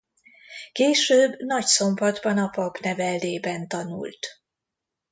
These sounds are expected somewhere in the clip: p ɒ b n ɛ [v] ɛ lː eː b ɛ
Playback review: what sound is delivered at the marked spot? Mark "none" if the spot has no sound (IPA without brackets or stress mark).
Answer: v